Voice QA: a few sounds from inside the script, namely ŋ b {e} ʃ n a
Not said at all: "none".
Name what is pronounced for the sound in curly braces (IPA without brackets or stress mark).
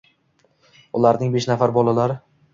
e